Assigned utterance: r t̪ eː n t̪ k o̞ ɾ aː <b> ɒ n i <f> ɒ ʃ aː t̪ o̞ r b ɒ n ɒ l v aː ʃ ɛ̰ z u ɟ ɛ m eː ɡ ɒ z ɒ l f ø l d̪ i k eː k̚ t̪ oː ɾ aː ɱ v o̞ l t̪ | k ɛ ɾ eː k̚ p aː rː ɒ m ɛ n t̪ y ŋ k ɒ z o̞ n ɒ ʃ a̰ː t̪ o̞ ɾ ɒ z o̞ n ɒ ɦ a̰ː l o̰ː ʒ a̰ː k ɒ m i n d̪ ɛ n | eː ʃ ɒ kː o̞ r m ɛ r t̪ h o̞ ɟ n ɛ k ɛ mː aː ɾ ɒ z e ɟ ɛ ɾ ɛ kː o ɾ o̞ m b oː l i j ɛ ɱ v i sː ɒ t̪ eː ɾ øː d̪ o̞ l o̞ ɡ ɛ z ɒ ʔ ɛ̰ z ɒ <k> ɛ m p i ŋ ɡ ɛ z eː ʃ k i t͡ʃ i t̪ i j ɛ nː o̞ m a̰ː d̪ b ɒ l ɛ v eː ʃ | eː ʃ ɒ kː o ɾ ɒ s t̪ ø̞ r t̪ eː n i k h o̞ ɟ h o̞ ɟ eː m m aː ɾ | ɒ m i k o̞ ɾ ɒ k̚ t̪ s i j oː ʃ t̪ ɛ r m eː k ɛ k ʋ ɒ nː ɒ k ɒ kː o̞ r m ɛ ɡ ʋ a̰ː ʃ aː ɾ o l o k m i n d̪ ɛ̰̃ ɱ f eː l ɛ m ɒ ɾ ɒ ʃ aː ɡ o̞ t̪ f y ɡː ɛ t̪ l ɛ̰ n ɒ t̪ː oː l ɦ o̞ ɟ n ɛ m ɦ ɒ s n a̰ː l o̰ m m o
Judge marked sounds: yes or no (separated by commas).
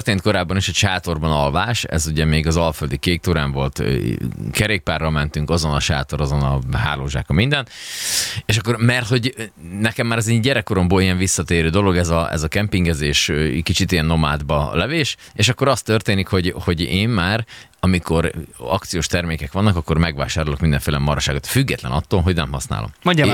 no, no, yes